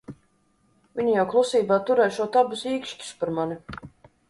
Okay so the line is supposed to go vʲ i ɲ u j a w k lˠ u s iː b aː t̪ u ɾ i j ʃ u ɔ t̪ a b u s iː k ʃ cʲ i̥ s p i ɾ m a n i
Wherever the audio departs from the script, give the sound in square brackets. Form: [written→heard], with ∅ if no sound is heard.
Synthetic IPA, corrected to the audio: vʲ i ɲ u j a w k lˠ u s iː b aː t̪ u ɾ [i→ɛ] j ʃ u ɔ t̪ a b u s iː k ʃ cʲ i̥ s p [i→a] ɾ m a n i